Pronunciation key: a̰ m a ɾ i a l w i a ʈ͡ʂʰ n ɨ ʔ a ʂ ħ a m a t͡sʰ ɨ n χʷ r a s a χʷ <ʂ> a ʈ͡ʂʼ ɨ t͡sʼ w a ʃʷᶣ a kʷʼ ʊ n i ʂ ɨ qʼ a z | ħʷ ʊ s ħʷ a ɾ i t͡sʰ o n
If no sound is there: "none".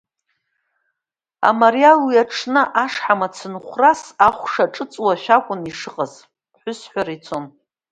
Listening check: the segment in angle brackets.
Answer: ʂ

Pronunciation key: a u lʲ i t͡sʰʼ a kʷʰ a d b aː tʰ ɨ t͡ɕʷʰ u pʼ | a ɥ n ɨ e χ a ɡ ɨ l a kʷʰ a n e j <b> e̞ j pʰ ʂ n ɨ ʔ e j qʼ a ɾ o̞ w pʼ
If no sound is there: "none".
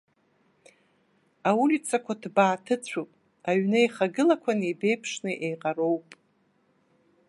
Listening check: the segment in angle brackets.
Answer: b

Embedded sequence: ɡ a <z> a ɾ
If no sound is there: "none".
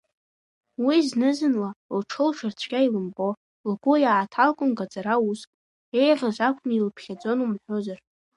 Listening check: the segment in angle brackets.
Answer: d͡z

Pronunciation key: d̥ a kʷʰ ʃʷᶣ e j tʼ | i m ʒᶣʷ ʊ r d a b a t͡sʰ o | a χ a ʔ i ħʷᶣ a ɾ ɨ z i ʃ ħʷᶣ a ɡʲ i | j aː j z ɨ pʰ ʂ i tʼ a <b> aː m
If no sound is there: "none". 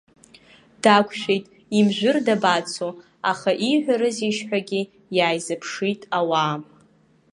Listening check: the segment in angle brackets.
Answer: w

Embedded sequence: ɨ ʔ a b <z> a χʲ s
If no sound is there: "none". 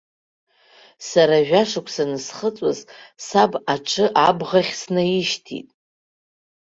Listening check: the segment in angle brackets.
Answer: ʁ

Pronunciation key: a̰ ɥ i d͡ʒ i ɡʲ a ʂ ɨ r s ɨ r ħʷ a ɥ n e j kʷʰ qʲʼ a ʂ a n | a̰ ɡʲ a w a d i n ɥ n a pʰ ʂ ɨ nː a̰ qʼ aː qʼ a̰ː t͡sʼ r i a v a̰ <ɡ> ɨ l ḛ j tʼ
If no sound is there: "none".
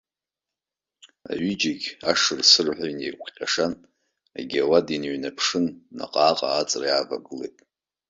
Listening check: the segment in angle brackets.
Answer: ɡ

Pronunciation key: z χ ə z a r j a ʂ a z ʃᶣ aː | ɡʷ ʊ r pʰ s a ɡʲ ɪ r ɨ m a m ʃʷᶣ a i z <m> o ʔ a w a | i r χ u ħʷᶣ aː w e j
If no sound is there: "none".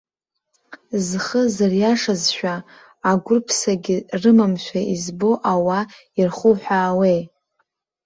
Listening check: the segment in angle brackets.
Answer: b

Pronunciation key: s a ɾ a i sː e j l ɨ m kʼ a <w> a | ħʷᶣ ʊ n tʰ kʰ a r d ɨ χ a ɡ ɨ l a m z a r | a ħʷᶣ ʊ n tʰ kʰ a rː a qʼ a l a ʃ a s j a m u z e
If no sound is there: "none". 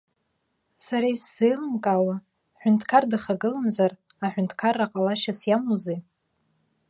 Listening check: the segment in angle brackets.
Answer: w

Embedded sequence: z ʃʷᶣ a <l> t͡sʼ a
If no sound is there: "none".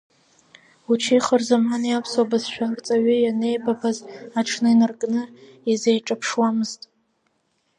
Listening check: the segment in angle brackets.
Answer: r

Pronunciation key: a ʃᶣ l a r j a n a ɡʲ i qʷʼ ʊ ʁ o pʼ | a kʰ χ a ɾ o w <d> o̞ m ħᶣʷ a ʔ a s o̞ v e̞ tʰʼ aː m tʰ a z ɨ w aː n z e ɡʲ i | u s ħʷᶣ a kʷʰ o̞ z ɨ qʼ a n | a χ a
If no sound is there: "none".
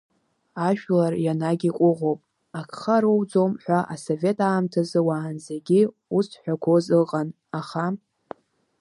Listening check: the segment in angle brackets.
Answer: d͡z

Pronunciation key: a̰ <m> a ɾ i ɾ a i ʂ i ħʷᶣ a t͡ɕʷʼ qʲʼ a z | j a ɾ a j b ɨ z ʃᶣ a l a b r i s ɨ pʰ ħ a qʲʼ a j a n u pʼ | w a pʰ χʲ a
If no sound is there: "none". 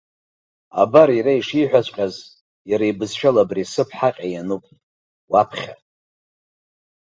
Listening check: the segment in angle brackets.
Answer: b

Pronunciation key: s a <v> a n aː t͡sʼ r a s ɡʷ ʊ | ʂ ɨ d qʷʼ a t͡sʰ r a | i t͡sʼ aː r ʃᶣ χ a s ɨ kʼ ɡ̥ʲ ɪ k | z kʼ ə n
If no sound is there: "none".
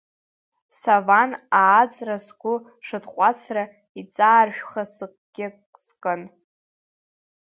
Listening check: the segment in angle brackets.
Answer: v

